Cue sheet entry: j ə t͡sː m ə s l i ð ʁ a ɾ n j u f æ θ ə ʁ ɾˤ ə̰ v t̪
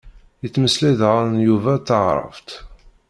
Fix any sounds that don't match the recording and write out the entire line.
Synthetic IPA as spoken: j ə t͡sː m ə s l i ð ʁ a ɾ n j u v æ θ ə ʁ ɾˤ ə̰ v t̪